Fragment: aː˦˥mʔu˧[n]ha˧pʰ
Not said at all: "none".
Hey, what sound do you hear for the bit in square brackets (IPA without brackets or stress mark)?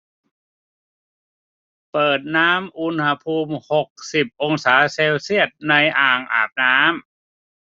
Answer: n